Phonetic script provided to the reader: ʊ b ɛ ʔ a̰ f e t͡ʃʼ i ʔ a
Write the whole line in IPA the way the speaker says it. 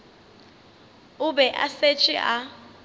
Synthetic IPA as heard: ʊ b ɛ ʔ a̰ s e t͡ʃʼ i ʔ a